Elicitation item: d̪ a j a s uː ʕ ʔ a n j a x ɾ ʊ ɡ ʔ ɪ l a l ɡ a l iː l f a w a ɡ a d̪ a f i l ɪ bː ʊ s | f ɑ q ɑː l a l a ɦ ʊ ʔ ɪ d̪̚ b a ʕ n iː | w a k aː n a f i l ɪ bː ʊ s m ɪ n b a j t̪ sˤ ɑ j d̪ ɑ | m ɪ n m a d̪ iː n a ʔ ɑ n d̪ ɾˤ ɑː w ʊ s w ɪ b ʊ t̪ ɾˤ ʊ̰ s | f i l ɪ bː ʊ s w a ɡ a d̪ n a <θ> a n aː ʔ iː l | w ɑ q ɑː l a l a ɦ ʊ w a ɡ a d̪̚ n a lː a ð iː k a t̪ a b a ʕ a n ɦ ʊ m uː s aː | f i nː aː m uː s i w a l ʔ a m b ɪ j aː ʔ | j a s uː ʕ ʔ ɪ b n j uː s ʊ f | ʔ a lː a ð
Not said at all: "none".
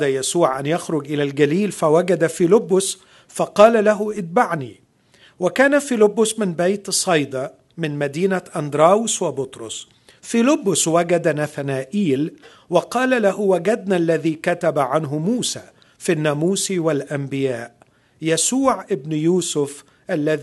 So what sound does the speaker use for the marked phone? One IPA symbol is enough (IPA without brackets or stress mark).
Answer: θ